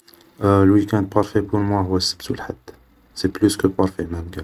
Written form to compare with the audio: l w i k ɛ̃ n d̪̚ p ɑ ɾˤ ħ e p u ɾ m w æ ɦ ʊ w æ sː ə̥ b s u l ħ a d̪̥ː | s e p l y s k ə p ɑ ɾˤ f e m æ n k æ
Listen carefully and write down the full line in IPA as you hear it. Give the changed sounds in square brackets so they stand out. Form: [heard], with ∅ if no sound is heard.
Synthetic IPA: l w i k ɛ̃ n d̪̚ p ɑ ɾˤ [f] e p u ɾ m w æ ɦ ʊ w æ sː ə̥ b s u l ħ a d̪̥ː | s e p l y s k ə p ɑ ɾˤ f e m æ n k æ